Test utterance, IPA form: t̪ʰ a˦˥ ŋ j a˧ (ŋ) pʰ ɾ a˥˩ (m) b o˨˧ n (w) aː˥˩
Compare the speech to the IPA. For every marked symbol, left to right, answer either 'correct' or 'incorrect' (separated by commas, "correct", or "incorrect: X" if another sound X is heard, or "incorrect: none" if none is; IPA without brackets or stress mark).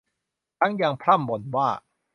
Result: correct, correct, correct